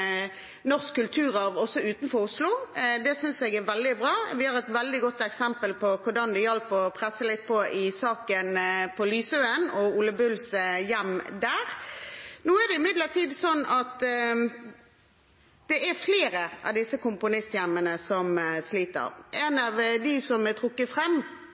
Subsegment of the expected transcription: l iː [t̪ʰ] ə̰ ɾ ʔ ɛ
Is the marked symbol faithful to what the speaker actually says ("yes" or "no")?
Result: no